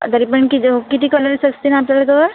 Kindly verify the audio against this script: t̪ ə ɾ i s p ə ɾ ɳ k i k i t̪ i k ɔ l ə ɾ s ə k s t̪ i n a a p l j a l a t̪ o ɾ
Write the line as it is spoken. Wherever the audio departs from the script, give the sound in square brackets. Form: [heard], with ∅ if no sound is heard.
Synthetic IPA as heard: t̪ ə ɾ i [∅] p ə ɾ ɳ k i k i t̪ i k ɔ l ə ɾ s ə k s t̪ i n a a p l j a l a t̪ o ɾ

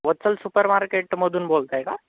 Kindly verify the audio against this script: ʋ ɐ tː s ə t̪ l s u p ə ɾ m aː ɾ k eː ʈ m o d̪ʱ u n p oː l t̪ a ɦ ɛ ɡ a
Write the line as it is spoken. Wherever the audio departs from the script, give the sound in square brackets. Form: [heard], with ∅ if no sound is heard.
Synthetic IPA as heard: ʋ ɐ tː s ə [∅] l s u p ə ɾ m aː ɾ k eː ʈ m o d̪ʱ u n [b] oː l t̪ a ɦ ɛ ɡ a

